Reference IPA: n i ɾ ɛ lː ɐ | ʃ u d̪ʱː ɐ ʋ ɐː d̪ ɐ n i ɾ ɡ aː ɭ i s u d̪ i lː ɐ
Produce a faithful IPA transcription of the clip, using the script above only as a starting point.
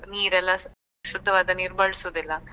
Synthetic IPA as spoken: n iː ɾ ɛ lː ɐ | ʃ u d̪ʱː ɐ ʋ aː d̪ ɐ n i ɾ b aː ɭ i s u d̪ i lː ɐ

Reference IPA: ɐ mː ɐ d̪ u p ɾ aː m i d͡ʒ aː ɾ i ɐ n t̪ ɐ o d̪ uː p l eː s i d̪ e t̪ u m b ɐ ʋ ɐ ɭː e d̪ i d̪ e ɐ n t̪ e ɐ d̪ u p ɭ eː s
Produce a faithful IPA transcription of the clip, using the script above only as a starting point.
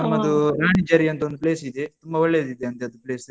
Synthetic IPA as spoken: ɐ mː ɐ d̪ u ɾ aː ɳ i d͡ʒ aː ɾ i ɐ n t̪ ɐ o d̪ u p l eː s i d̪ e t̪ u m b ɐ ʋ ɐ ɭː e d̪ i d̪ e ɐ n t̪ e ɐ d̪ u p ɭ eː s

